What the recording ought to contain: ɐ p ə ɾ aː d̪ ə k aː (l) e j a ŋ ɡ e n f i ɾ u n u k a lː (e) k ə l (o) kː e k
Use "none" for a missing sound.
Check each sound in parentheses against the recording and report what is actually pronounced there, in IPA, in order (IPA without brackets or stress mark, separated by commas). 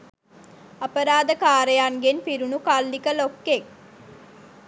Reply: ɾ, i, o